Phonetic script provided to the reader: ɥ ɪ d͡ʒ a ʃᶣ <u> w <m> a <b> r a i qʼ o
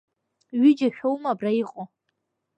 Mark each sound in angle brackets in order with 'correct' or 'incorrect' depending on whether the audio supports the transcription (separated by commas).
incorrect, correct, correct